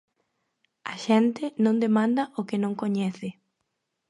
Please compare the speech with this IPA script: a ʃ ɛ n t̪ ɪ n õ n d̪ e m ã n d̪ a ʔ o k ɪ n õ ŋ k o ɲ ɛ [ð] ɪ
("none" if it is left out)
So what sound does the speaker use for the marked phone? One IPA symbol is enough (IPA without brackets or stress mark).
θ